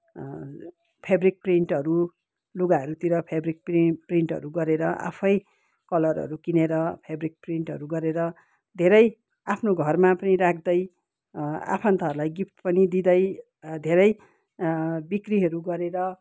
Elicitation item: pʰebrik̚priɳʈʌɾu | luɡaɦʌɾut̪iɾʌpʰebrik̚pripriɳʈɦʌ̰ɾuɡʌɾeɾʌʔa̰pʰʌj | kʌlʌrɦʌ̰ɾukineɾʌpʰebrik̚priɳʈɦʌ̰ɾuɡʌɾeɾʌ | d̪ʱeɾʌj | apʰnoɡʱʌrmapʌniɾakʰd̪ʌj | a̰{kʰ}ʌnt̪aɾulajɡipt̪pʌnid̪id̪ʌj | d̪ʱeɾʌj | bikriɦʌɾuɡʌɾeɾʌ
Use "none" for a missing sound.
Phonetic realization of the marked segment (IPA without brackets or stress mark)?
pʰ